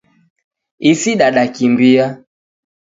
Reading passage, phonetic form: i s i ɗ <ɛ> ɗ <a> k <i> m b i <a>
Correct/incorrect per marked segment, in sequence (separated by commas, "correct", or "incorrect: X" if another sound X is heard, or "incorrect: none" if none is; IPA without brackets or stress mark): incorrect: a, correct, correct, correct